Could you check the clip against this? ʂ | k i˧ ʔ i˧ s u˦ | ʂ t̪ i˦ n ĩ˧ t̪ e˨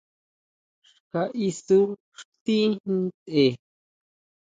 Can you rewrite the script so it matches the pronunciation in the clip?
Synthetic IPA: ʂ | k a˧ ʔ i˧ s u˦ | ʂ t̪ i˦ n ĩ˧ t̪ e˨

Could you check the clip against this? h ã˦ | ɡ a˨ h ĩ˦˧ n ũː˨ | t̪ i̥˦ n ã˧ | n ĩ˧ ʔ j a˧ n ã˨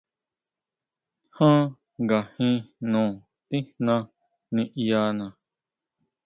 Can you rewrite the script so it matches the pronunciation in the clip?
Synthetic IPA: h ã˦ | ɡ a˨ h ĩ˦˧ n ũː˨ | t̪ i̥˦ n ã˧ | n ĩ˧ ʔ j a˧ n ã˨

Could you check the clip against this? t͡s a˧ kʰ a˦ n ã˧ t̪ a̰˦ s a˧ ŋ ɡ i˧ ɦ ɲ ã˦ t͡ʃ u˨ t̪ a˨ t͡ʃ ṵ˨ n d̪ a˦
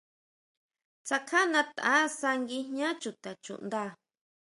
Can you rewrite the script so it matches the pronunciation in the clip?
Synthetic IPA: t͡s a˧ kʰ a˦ n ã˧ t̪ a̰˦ s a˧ ŋ ɡ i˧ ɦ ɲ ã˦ t͡ʃ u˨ t̪ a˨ t͡ʃ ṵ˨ n d̪ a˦

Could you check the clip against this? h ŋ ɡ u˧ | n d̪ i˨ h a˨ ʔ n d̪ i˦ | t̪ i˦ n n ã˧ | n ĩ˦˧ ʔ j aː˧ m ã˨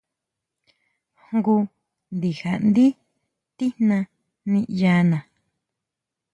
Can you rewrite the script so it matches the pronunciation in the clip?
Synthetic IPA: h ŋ ɡ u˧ | n d̪ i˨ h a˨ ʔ n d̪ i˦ | t̪ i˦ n n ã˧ | n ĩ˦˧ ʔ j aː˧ n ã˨

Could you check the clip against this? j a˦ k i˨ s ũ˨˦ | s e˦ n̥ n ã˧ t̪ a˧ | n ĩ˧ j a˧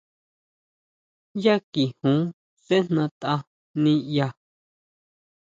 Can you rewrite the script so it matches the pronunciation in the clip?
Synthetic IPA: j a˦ k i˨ h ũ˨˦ | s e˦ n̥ n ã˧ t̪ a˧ | n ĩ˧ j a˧

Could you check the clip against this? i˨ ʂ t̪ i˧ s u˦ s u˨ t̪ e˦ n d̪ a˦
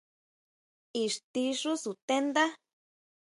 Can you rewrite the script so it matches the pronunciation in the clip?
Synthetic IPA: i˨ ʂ t̪ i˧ ʂ u˦ s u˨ t̪ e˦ n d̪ a˦

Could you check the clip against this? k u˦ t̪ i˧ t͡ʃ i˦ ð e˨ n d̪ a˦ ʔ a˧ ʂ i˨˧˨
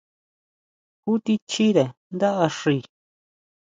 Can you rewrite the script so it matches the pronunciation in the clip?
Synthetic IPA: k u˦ t̪ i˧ t͡ʃ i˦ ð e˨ n d̪ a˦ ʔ a˧ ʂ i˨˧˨

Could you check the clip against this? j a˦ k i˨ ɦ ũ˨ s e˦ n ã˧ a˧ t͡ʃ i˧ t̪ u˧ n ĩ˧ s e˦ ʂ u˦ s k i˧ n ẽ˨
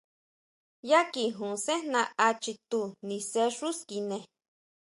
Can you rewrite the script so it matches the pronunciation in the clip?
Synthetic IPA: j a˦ k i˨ ɦ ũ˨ s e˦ n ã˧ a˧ t͡ʃ i˧ t̪ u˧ n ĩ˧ s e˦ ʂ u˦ s k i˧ n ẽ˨

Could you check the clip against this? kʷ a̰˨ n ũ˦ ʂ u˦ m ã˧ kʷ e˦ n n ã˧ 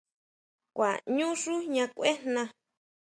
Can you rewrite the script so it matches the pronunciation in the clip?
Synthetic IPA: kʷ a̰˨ ɲ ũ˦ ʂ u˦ ɲ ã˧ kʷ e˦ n n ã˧

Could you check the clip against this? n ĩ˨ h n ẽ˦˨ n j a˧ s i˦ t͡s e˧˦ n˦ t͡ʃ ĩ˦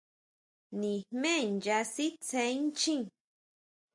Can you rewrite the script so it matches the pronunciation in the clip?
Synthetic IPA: n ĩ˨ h m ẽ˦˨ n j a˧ s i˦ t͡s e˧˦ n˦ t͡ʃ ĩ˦

